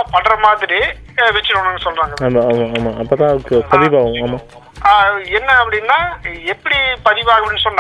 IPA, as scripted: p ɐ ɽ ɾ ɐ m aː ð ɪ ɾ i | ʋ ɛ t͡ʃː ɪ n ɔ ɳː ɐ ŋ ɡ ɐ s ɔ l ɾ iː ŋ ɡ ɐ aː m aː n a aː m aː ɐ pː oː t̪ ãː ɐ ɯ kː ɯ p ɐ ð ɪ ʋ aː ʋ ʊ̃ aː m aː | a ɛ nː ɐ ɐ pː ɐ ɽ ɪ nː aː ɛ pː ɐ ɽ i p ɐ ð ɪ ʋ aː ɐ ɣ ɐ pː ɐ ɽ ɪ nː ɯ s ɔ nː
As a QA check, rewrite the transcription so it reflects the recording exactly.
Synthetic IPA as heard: p ɐ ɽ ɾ ɐ m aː ð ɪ ɾ i | ʋ ɛ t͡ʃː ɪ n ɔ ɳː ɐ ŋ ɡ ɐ s ɔ l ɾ aː ŋ ɡ ɐ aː m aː m a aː m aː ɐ pː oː t̪ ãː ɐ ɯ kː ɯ p ɐ ð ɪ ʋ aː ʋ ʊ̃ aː m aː | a ɛ nː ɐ ɐ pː ɐ ɽ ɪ nː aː ɛ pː ɐ ɽ i p ɐ ð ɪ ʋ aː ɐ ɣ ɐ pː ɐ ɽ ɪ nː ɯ s ɔ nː